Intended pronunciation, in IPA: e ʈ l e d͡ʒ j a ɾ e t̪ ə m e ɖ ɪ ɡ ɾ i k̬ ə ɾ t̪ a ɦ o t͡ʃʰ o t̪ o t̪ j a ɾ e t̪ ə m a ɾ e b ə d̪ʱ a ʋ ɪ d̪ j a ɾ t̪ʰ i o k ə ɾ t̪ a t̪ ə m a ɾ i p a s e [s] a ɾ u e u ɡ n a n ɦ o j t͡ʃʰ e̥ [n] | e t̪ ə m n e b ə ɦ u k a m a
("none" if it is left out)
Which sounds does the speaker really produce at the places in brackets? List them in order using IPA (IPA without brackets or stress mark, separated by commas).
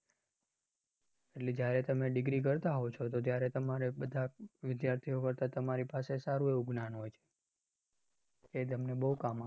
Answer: s, none